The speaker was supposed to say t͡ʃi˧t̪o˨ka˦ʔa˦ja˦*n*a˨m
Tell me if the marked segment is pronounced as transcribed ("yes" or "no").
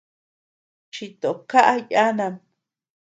yes